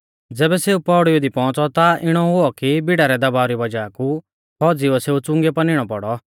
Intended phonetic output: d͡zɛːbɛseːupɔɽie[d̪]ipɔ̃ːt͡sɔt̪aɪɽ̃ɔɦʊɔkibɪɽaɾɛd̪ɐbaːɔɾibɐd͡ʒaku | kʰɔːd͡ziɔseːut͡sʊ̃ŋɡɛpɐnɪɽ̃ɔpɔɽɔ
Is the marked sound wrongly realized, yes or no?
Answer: no